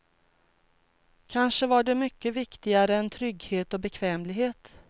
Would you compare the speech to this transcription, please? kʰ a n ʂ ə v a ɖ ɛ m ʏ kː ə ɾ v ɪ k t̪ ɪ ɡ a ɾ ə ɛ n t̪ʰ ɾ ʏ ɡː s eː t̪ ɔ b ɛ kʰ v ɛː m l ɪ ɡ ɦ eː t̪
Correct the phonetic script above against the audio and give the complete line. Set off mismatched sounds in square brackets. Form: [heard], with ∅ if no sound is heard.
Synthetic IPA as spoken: kʰ a n ʂ ə v a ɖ ɛ m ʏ kː ə [∅] v ɪ k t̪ ɪ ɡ a ɾ ə ɛ n t̪ʰ ɾ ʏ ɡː [h] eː t̪ ɔ b ɛ kʰ v ɛː m l ɪ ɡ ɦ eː t̪